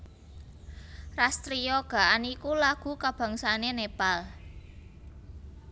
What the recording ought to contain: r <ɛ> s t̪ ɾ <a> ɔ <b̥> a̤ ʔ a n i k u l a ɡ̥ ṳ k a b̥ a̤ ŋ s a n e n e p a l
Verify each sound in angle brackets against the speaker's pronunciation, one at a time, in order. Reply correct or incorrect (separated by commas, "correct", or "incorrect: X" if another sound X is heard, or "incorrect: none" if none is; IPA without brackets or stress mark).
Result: incorrect: a, incorrect: i, incorrect: ɡ̥